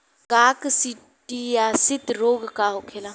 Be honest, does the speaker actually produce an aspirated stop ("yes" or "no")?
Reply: yes